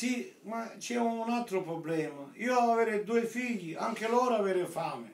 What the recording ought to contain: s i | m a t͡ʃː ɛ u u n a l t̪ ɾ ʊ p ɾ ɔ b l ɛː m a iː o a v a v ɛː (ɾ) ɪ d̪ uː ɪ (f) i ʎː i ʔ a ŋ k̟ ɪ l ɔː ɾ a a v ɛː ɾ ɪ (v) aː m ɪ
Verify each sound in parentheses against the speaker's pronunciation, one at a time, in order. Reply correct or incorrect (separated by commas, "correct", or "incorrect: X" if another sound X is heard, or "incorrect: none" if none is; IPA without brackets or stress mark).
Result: correct, correct, incorrect: f